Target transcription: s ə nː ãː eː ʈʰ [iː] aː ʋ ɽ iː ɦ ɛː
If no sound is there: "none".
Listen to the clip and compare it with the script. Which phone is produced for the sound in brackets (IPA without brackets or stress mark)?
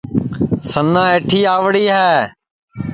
iː